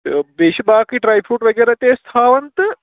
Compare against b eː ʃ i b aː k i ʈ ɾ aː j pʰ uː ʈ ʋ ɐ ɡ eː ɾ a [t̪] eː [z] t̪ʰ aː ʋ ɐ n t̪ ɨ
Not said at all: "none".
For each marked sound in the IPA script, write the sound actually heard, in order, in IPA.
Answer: t̪, s

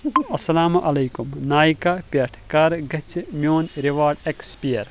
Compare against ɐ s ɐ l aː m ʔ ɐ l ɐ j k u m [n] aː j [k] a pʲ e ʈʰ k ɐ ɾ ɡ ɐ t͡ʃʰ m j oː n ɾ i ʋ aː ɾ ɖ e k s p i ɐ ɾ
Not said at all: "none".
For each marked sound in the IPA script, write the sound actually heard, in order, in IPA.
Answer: n, k

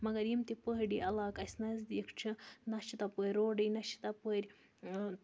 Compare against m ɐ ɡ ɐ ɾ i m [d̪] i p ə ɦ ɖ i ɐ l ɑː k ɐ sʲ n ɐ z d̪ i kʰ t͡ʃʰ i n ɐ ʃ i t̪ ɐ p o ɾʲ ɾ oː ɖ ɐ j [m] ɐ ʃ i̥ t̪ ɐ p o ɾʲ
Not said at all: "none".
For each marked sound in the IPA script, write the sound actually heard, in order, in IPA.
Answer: t̪, n

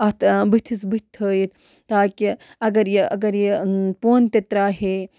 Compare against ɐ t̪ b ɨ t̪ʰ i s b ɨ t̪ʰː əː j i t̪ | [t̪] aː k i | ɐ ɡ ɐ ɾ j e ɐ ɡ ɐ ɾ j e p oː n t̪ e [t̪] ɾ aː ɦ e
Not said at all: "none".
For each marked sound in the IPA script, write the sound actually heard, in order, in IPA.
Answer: t̪, t̪

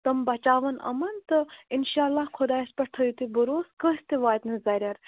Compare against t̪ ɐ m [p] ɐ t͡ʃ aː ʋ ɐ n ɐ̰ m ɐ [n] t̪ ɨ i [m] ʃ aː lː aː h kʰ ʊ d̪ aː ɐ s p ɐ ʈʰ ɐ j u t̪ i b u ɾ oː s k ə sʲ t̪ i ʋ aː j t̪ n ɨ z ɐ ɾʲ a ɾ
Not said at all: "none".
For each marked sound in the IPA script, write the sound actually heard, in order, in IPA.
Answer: b, n, n

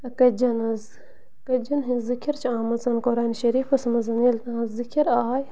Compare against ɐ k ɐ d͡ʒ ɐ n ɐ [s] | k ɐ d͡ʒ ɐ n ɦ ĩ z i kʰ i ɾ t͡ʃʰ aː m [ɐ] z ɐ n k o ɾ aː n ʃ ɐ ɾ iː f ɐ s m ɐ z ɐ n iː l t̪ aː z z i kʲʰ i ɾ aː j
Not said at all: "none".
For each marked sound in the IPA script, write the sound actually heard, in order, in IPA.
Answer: z, ɐ

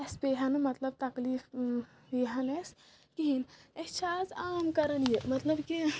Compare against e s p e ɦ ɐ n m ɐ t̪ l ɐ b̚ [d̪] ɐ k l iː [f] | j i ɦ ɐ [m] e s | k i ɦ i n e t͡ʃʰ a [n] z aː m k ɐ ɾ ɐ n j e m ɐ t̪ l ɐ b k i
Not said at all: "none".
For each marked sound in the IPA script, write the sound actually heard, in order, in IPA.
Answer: t̪, f, n, none

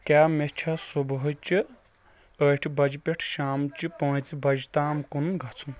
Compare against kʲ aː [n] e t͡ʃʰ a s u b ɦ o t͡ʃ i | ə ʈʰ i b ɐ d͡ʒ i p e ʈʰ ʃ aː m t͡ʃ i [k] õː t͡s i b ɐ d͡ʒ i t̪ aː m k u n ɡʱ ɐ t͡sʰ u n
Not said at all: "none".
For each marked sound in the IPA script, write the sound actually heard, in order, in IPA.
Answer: m, p

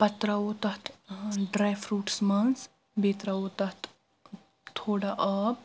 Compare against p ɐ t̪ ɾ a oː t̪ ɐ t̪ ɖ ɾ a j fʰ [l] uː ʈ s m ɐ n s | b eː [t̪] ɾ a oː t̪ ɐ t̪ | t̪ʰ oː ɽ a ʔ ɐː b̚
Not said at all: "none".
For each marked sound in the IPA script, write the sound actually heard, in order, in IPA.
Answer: ɾ, t̪

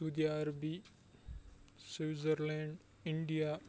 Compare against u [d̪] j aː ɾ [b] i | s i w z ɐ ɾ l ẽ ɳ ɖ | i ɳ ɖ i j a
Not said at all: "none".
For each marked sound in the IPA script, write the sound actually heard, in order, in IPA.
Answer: d̪, b

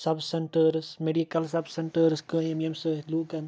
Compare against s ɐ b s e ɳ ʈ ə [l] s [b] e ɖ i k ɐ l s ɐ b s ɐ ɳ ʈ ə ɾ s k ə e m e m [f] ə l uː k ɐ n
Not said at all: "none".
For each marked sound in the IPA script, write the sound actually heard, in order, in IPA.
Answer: ɾ, m, s

